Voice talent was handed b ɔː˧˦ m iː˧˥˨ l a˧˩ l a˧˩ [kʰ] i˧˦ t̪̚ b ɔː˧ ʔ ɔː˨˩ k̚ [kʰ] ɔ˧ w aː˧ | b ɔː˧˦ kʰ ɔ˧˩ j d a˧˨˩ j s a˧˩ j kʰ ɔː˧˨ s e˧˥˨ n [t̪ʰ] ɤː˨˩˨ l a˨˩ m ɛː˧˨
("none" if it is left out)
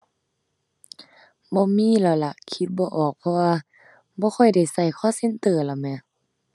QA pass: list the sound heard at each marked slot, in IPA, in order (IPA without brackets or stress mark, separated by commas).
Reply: kʰ, pʰ, t̪